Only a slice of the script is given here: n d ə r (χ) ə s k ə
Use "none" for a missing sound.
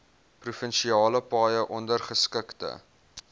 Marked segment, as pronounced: χ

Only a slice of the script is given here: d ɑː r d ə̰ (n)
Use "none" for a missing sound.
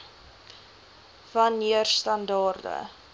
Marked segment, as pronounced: none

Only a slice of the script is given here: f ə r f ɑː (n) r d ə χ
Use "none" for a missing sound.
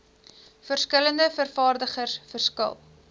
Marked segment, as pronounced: none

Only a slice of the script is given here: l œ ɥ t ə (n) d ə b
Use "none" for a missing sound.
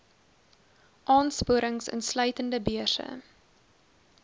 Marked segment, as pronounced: n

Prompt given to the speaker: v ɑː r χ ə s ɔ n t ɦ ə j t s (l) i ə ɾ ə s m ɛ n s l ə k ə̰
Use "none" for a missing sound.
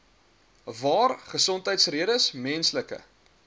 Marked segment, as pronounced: r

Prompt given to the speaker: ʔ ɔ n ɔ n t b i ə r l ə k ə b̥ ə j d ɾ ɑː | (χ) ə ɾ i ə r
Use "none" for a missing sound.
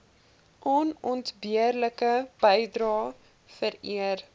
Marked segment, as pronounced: f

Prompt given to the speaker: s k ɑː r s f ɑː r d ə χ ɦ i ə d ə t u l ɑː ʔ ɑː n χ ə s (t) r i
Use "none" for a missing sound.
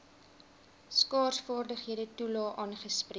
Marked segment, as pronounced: p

